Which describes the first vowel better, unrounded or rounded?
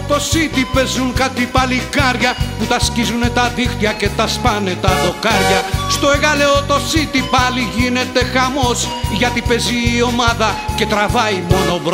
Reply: rounded